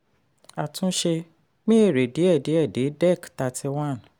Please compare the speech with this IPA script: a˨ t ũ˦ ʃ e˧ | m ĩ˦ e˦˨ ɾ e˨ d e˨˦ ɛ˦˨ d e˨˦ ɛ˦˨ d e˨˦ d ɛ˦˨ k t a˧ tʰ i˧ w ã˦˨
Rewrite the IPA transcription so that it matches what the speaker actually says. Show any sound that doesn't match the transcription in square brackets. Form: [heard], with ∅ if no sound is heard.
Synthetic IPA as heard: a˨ t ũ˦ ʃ e˧ | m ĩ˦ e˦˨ ɾ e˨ d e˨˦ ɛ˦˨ d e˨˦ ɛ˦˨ d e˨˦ d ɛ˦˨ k t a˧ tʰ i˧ w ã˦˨